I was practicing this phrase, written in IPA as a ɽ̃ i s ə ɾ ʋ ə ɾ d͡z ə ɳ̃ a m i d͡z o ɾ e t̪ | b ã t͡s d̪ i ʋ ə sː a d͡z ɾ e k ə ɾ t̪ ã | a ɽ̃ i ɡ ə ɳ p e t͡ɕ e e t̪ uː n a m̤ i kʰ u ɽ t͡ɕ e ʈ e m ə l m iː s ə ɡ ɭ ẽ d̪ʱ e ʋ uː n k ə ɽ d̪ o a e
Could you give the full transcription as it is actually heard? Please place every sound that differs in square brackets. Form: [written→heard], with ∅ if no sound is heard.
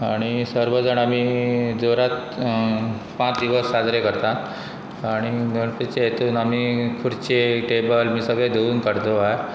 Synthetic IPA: a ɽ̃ i s ə ɾ ʋ ə [ɾ→∅] d͡z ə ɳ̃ a m i d͡z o ɾ [e→a] t̪ | [b→p] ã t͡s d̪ i ʋ ə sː a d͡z ɾ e k ə ɾ t̪ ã | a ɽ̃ i ɡ ə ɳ p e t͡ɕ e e t̪ uː n a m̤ i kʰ u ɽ t͡ɕ e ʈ e [m→b] ə l m iː s ə ɡ ɭ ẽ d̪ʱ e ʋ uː n k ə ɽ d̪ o a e